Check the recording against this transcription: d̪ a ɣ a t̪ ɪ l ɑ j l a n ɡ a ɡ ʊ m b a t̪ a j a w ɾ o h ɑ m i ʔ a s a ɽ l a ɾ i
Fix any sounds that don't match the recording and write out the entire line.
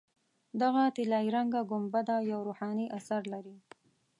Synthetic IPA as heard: d̪ a ɣ a t̪ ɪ l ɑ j ɾ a ŋ ɡ a ɡ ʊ m b a d̪ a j a w ɾ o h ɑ n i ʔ a s a ɾ l a ɾ i